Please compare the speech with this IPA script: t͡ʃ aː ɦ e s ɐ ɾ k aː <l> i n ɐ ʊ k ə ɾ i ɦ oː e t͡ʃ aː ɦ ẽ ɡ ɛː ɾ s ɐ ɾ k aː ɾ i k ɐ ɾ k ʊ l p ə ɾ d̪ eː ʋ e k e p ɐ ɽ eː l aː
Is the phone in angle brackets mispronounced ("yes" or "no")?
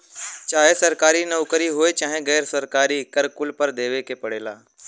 yes